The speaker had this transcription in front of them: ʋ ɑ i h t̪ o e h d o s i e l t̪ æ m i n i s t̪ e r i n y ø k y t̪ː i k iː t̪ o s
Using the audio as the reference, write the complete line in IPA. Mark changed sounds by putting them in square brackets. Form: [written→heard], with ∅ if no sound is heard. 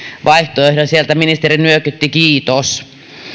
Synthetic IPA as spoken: ʋ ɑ i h t̪ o e h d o s i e l t̪ æ m i n i s t̪ e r i n y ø k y t̪ː i k iː t̪ o s